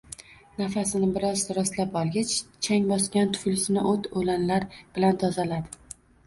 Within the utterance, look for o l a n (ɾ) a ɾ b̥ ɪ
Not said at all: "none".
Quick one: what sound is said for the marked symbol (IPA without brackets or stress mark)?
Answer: l